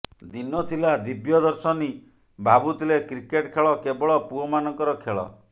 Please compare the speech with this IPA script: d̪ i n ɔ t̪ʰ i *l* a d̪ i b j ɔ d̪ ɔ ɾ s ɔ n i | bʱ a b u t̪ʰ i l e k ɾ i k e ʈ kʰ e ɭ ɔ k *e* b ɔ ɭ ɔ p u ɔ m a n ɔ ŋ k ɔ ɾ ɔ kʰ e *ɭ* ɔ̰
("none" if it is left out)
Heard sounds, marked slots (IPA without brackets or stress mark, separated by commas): l, e, ɭ